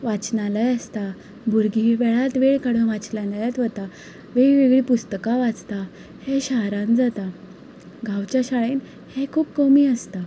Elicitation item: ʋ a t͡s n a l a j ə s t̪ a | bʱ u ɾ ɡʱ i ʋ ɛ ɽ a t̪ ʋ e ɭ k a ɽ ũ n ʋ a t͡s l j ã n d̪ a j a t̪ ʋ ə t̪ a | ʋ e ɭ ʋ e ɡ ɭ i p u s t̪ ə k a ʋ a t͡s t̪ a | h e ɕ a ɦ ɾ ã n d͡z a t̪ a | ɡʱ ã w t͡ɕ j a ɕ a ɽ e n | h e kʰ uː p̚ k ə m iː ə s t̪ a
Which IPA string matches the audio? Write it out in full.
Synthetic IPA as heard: ʋ a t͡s n a l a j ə s t̪ a | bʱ u ɾ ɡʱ i ʋ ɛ ɭ a t̪ ʋ e ɭ k a ɽ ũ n ʋ a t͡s l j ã n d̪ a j a t̪ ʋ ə t̪ a | ʋ e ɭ ʋ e ɡ ɭ i p u s t̪ ə k a ʋ a t͡s t̪ a | h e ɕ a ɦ ɾ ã n d͡z a t̪ a | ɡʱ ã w t͡ɕ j a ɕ a ɭ e n | h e kʰ uː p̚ k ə m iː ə s t̪ a